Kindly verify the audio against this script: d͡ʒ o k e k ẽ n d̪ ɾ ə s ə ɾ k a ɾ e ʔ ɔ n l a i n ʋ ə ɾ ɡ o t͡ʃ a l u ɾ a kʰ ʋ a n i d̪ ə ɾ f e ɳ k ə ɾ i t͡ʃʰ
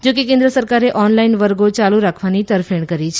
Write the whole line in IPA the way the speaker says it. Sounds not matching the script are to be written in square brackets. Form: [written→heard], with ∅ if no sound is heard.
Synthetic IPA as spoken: d͡ʒ o k e k ẽ n d̪ ɾ ə s ə ɾ k a ɾ e ʔ ɔ n l a i n ʋ ə ɾ ɡ o t͡ʃ a l u ɾ a kʰ ʋ a n i [d̪→t̪] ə ɾ f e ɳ k ə ɾ i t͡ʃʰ